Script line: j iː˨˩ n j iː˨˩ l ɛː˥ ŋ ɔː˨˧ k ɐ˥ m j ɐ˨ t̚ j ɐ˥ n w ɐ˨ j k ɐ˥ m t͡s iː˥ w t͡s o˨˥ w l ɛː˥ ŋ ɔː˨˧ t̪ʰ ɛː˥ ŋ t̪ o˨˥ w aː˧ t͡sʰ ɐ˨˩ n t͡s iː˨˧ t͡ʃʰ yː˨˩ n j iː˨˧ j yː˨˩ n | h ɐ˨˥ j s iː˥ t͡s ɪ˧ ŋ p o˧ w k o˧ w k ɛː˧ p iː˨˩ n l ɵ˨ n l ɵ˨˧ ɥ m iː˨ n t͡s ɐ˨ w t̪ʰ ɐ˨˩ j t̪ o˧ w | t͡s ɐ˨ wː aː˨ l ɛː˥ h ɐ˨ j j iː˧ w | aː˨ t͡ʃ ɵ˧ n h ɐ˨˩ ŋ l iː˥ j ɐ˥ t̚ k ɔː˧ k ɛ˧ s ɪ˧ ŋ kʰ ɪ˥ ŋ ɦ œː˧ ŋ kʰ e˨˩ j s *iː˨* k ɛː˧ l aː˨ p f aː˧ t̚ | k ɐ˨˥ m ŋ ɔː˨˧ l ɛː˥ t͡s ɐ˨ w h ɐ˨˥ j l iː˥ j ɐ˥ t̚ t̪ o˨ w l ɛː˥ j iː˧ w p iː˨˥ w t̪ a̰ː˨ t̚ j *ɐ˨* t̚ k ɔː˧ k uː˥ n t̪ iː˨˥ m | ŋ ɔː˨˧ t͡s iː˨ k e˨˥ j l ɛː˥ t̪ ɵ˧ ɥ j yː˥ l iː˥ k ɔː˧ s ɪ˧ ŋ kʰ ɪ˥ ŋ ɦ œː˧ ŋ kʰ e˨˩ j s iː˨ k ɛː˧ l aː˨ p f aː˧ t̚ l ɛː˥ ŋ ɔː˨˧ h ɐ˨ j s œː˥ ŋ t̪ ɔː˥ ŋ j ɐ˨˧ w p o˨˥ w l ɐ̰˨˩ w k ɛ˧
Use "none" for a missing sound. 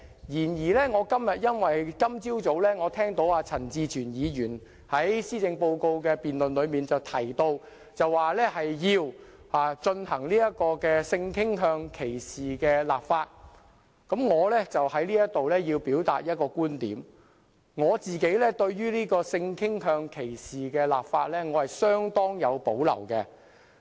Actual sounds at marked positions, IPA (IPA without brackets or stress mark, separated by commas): iː˨, ɐ˥